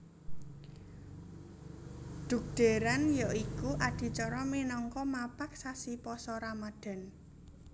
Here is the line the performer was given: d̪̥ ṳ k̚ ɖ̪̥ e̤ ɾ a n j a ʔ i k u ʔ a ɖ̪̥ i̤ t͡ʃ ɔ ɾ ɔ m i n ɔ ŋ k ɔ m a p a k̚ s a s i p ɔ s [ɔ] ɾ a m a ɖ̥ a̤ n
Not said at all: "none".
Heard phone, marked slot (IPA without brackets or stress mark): ɔ